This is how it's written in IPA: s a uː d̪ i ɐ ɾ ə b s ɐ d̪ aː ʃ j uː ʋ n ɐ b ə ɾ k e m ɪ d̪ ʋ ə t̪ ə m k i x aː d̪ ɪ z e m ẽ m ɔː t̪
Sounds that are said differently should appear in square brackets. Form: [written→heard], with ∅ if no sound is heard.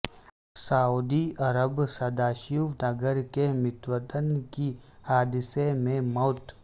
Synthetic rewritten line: s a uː d̪ i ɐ ɾ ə b s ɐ d̪ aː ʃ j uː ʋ n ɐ [b→ɡ] ə ɾ k e m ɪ [d̪→t̪] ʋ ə t̪ ə [m→n] k i [x→h] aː d̪ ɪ [z→s] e m ẽ m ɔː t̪